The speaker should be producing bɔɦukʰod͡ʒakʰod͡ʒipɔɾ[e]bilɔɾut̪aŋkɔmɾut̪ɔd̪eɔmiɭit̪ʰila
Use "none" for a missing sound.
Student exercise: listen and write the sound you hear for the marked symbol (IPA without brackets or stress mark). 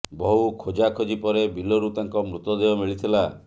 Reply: e